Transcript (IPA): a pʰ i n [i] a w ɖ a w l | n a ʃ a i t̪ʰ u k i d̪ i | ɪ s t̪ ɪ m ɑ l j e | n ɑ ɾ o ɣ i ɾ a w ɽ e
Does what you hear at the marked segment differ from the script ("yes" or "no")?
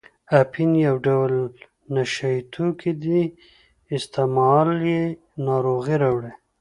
yes